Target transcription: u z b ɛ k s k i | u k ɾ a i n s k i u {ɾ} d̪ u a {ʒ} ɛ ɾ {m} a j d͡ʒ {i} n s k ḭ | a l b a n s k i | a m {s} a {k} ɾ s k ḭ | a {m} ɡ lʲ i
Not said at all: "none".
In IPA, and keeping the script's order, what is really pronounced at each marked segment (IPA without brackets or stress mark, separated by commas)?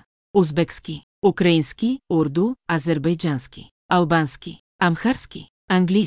ɾ, z, b, a, x, none, ŋ